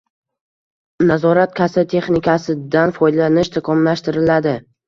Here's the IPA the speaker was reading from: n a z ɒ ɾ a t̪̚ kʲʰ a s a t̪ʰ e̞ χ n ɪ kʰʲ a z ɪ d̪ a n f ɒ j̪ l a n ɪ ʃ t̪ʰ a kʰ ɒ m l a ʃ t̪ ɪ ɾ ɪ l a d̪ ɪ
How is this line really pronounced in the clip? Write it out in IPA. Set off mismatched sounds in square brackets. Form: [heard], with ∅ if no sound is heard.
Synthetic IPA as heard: n a z ɒ ɾ a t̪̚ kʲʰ a s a t̪ʰ e̞ χ n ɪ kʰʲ a [s] ɪ d̪ a n f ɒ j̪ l a n ɪ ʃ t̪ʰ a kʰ ɒ m l a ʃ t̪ ɪ ɾ ɪ l a d̪ ɪ